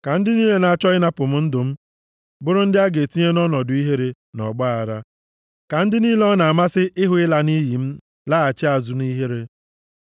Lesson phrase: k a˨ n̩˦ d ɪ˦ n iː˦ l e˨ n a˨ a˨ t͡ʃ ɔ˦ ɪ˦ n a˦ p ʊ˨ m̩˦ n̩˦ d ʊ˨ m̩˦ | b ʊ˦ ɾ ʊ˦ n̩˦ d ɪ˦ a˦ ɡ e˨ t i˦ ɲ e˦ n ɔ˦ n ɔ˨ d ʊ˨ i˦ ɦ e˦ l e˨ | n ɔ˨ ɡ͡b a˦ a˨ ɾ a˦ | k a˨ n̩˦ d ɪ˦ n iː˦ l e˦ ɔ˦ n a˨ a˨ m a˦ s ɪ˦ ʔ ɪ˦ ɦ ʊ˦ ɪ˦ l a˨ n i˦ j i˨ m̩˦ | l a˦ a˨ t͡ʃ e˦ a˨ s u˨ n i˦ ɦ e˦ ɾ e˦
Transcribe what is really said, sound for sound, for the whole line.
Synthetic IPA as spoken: k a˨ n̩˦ d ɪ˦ n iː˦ l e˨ n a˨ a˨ t͡ʃ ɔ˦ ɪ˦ n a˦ p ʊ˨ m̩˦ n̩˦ d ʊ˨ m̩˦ | b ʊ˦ ɾ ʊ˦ n̩˦ d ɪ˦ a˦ ɡ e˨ t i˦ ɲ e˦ n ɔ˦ n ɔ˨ d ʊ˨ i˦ ɦ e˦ ɾ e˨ | n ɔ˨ ɡ͡b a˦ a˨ ɾ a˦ | k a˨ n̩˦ d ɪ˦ n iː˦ l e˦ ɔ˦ n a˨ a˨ m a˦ s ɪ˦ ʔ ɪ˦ ɦ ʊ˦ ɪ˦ l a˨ n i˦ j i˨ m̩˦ | l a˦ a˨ t͡ʃ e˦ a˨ z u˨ n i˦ ɦ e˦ ɾ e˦